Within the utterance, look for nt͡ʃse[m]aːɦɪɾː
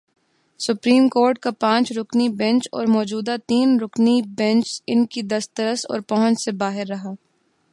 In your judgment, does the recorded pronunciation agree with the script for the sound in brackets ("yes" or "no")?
no